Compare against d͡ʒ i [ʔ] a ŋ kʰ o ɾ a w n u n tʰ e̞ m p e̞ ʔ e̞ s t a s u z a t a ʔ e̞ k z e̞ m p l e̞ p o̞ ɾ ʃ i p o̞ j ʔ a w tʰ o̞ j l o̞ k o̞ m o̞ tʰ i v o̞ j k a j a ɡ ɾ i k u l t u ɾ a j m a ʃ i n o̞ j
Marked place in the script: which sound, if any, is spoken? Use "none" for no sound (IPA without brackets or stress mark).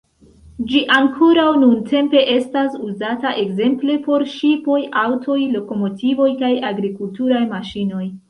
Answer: ʔ